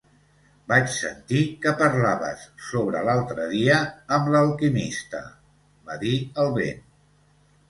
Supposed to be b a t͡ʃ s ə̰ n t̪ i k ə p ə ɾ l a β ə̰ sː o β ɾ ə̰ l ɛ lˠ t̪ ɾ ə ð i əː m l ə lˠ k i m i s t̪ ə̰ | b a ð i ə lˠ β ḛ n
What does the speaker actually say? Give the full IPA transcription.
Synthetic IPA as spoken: b a t͡ʃ s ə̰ n t̪ i k ə p ə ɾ l a β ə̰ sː o β ɾ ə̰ l a lˠ t̪ ɾ ə ð i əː m l ə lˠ k i m i s t̪ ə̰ | b a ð i ə lˠ β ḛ n